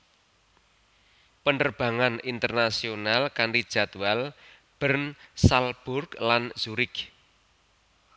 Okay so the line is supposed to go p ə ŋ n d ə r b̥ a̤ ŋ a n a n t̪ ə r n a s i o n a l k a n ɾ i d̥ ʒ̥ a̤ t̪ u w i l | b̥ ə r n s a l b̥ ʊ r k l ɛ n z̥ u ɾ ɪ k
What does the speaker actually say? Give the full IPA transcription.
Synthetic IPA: p ə n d ə r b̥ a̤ ŋ a n i n t̪ ə r n a s i o n a l k a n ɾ i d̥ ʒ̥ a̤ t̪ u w a l | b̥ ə r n s a l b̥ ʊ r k l a n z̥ u ɾ ɪ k